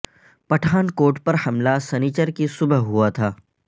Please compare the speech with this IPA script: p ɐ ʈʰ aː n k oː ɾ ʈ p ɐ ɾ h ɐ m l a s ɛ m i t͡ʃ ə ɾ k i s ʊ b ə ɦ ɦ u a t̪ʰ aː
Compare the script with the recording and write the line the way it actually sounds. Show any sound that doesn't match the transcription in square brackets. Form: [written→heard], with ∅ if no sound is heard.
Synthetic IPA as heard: p ɐ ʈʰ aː n k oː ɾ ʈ p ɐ ɾ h ɐ m l a s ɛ [m→n] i t͡ʃ ə ɾ k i s ʊ b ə ɦ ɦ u a t̪ʰ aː